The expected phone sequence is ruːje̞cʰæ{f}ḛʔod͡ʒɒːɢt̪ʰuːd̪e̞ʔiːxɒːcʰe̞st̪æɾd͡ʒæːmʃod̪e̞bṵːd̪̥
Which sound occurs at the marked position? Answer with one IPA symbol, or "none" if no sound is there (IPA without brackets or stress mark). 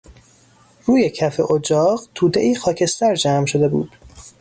f